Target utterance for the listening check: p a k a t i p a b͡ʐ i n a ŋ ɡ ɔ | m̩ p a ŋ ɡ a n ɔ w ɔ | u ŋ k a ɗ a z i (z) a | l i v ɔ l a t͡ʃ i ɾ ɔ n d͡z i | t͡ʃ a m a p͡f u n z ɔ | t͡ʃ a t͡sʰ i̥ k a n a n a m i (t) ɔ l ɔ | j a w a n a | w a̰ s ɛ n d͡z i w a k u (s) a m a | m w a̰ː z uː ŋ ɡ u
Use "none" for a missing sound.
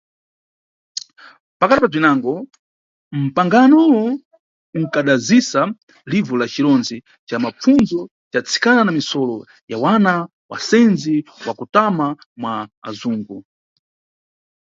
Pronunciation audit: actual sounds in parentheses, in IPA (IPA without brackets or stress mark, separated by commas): s, s, t